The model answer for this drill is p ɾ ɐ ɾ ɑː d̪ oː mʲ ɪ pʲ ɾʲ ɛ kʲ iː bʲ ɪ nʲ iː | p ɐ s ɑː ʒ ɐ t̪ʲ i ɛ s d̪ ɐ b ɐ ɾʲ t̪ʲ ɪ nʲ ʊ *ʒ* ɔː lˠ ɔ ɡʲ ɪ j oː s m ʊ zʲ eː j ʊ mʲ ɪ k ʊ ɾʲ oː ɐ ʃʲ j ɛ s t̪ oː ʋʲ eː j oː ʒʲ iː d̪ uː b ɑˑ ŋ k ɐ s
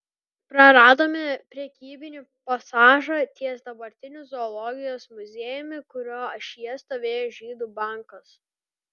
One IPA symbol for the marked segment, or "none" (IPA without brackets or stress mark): z